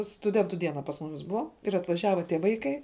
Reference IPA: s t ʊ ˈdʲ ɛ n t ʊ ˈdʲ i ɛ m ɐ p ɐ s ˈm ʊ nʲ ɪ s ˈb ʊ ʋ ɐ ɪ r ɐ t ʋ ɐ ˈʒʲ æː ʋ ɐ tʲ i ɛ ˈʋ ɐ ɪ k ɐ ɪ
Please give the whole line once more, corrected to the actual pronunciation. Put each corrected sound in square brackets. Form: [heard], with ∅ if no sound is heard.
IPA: s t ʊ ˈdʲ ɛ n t ʊ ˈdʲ i ɛ [n] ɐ p ɐ s ˈm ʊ [mʲ] ɪ s ˈb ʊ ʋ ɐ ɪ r ɐ t ʋ ɐ ˈʒʲ æː ʋ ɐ tʲ i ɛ ˈʋ ɐ ɪ k ɐ ɪ